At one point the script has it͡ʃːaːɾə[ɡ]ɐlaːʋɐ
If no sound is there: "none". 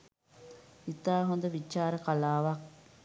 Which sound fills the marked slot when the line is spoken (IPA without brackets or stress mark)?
k